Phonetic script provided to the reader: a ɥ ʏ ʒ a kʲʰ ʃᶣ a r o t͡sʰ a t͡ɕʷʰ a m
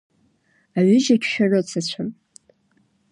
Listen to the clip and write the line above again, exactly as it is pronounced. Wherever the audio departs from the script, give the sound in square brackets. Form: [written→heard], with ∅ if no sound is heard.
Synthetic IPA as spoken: a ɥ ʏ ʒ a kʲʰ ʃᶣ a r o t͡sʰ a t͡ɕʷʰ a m